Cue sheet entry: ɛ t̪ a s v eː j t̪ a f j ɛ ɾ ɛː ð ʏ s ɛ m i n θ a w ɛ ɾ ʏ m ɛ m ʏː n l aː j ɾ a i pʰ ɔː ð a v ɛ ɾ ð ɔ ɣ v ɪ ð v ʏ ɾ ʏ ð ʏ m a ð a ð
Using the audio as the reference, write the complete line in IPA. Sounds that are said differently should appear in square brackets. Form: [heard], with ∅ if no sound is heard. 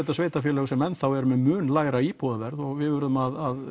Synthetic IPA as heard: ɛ t̪ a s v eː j t̪ a f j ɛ [l] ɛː [ɣ] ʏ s ɛ m [ɛ] n θ a w ɛ ɾ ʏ m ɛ m ʏː n l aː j ɾ a i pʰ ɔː ð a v ɛ ɾ ð ɔ ɣ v ɪ ð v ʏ ɾ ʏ ð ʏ m a ð a ð